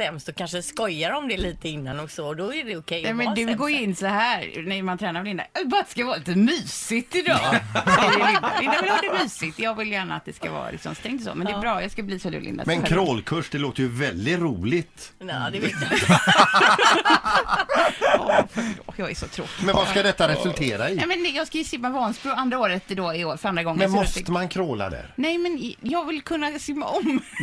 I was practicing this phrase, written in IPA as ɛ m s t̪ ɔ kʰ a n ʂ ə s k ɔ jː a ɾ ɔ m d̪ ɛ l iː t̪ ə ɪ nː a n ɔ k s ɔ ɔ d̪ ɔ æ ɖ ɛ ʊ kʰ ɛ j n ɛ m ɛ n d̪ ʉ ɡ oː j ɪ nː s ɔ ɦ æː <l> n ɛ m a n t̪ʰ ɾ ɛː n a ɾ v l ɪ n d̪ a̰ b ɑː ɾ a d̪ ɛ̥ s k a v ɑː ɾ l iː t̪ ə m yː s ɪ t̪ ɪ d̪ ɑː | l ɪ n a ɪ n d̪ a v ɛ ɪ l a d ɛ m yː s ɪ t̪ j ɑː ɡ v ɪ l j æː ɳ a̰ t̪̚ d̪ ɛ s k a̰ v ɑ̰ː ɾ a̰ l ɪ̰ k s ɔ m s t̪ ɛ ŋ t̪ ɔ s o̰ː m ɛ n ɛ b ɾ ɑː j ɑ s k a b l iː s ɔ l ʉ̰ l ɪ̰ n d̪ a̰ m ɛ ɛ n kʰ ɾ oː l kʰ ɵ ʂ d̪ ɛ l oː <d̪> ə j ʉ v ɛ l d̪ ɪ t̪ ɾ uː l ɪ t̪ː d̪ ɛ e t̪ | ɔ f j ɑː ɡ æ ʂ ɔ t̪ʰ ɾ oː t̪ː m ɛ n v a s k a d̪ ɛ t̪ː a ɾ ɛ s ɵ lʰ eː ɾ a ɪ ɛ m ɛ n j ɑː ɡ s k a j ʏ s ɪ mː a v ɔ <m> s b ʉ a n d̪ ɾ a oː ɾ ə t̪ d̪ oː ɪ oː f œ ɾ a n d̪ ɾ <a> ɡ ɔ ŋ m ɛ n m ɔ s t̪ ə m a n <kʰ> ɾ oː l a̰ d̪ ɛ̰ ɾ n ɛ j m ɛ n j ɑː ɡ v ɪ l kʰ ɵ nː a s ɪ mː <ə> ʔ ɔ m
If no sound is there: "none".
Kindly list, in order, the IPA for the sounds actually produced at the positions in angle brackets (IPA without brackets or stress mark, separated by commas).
ɾ, t̪, n, a, kʰ, a